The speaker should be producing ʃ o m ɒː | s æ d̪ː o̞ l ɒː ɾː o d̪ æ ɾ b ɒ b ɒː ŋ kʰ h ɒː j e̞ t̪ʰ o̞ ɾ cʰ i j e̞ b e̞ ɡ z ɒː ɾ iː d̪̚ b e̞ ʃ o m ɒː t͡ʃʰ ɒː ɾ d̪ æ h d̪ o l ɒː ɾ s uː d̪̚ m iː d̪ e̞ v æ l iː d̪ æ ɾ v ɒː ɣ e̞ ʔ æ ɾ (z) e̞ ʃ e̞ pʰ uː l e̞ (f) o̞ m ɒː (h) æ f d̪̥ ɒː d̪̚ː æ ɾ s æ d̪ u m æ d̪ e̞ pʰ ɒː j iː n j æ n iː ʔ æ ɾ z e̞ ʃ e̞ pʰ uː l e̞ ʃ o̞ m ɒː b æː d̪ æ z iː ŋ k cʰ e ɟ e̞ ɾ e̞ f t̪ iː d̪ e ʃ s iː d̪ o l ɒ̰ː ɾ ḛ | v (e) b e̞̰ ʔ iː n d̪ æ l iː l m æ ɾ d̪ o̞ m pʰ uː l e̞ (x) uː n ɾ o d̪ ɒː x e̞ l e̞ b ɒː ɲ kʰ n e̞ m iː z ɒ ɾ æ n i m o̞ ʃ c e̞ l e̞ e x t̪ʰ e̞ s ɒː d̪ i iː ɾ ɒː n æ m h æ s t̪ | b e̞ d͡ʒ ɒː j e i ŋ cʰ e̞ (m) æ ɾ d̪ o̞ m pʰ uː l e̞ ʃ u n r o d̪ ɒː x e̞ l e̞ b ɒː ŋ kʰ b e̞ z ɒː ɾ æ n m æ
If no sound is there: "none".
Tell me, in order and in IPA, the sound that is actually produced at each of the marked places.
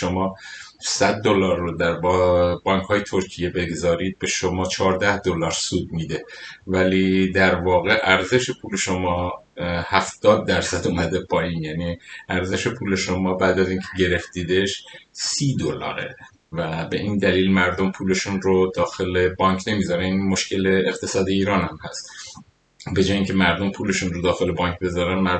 z, ʃ, h, æ, ʃ, m

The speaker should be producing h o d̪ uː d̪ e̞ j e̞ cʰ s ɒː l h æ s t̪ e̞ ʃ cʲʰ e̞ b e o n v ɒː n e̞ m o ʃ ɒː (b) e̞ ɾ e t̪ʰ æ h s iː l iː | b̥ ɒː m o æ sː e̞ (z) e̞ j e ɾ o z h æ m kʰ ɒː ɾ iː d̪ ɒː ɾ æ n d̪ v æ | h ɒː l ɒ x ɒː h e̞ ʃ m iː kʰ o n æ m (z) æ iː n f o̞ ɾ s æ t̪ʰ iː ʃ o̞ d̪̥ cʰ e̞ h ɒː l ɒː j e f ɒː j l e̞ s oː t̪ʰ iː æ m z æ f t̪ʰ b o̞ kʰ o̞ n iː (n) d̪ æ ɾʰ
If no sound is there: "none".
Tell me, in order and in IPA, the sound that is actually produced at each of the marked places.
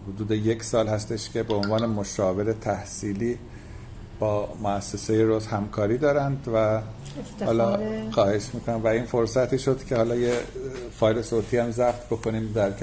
v, s, v, m

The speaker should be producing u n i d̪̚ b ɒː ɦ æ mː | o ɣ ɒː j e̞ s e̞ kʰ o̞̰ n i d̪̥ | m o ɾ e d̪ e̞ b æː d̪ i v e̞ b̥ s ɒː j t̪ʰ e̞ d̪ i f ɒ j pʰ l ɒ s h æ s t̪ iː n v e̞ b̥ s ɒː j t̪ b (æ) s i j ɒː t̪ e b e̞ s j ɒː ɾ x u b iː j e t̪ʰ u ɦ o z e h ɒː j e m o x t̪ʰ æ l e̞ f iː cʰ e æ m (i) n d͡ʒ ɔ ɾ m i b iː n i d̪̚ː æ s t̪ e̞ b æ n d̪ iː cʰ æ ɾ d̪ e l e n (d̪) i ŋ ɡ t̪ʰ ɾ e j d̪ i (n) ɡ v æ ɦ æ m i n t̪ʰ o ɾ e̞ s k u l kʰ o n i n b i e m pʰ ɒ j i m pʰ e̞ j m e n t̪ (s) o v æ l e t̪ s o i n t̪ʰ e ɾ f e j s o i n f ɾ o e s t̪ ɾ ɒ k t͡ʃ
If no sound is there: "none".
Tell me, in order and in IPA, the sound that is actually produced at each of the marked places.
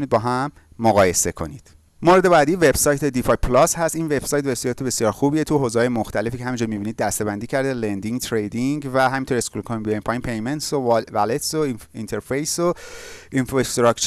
e, i, d̪, ŋ, s

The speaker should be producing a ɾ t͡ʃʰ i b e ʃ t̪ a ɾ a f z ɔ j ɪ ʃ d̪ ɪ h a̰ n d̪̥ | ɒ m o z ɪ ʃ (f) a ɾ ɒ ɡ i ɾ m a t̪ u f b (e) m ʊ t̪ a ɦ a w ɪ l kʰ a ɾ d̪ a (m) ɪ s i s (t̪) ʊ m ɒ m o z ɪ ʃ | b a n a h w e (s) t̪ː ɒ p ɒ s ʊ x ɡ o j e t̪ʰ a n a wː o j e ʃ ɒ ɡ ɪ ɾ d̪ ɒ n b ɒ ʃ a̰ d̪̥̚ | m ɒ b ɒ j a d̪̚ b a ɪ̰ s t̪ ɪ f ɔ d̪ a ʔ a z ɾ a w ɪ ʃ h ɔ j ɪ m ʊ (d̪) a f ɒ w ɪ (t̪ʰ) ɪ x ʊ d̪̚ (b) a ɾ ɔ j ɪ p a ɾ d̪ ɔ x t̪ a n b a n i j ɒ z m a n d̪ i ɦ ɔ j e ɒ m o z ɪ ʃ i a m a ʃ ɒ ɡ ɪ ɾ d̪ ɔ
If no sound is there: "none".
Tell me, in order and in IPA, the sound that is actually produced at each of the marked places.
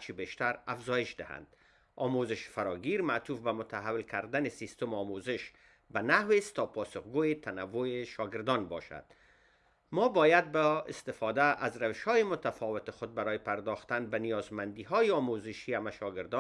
f, a, n, t̪, s, t̪, t̪, b

